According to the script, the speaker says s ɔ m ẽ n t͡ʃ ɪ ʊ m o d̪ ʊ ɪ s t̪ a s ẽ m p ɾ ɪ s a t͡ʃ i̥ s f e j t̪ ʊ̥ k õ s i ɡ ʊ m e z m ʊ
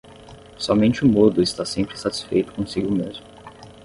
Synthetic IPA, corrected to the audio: s ɔ m ẽ n t͡ʃ ɪ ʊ m o d̪ ʊ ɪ s t̪ a s ẽ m p ɾ ɪ s a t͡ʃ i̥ s f e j t̪ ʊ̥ k õ s i ɡ ʊ m e z m ʊ